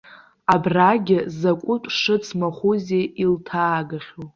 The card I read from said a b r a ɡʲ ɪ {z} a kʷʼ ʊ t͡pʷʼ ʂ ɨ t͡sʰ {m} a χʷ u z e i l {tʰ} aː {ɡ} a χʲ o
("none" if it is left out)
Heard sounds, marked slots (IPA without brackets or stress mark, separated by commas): z, m, tʰ, ɡ